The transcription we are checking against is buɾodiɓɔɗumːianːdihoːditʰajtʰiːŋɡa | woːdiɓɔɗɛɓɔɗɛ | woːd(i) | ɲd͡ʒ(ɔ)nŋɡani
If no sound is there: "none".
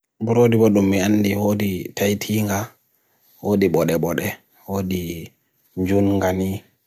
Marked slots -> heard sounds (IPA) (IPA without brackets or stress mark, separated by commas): i, u